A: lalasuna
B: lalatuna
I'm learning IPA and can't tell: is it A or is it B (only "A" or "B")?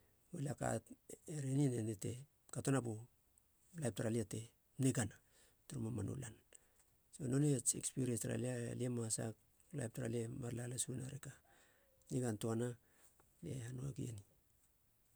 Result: A